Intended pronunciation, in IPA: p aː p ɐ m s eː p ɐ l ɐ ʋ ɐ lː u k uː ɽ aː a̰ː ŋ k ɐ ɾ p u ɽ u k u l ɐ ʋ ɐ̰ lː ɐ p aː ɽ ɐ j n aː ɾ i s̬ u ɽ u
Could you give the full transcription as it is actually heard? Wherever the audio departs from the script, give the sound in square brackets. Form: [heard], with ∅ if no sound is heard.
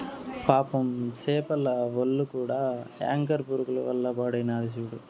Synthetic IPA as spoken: p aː p ɐ m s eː p ɐ l ɐ ʋ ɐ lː u k uː ɽ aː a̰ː ŋ k ɐ ɾ p u [ɾ] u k u l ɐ ʋ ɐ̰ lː ɐ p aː ɽ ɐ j n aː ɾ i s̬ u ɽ u